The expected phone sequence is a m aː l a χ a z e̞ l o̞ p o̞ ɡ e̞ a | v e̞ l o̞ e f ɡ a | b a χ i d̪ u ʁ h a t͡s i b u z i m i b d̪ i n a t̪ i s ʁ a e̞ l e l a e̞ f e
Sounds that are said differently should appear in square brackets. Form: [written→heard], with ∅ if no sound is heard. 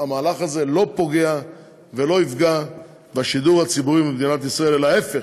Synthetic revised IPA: a m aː l a χ a z e̞ l o̞ p o̞ ɡ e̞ a | v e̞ l o̞ [e→i] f ɡ a | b a [χ→ʃ] i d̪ u ʁ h a t͡s i b u [z→ʁ] i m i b d̪ i n a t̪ i s ʁ a e̞ l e l a e̞ f e

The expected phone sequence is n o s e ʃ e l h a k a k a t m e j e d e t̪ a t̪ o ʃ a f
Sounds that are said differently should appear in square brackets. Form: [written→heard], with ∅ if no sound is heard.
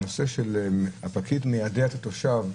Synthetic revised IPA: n o s e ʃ e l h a [k→p] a k [a→i] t m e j [e→a] d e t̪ a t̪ o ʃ a [f→v]

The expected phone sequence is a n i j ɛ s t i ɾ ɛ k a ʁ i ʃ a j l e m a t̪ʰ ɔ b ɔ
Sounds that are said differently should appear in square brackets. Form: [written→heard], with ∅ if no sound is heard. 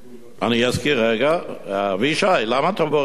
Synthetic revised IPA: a n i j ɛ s [t→k] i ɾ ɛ [k→ɡ] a [ʁ→v] i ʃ a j l [e→a] m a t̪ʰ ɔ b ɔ

